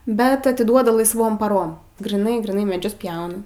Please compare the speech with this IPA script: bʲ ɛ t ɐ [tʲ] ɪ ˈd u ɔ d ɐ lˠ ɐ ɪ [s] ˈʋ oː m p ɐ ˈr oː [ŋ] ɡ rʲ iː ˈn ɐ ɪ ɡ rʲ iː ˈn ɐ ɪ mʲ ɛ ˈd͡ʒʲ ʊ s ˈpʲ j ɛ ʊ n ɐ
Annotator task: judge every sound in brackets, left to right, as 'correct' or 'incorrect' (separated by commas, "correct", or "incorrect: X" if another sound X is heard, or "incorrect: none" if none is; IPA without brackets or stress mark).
correct, correct, incorrect: m